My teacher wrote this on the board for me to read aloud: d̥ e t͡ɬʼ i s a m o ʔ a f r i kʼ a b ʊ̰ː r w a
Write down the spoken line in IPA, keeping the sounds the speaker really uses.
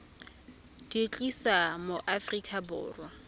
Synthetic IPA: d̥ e t͡ɬʼ i s a m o ʔ a f r i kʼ a b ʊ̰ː r w a